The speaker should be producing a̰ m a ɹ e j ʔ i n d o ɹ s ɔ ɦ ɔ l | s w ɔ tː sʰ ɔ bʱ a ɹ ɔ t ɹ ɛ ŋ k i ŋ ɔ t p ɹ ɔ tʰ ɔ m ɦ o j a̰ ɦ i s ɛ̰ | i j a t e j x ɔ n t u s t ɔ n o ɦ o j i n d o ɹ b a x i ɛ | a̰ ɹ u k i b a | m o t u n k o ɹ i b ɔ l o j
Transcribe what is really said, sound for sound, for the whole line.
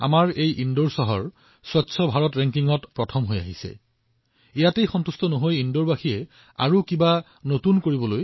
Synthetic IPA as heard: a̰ m a ɹ e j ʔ i n d o ɹ s ɔ ɦ ɔ ɹ | s w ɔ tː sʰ ɔ bʱ a ɹ ɔ t ɹ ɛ ŋ k i ŋ ɔ t p ɹ ɔ tʰ ɔ m ɦ o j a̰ ɦ i s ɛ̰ | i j a t e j x ɔ n t u s t ɔ n o ɦ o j i n d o ɹ b a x i ɛ | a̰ ɹ u k i b a | n o t u n k o ɹ i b ɔ l o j